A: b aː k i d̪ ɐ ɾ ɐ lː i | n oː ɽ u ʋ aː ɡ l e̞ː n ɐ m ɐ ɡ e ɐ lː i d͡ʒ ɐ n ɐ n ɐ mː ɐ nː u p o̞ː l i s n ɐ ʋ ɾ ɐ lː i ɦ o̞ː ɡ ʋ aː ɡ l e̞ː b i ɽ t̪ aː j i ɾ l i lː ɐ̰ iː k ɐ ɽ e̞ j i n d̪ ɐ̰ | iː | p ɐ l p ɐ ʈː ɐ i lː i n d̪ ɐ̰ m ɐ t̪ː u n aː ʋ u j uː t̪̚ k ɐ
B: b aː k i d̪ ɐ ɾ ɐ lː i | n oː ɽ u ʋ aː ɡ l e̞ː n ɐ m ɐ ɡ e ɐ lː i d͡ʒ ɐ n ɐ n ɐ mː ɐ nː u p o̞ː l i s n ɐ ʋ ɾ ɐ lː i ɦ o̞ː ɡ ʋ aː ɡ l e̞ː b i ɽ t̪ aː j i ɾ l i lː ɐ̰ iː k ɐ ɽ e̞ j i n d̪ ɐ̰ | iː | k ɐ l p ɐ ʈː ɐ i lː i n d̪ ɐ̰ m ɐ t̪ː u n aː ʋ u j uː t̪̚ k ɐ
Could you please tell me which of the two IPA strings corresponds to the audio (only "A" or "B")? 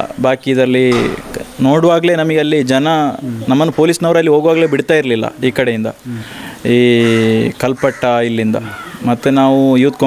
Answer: B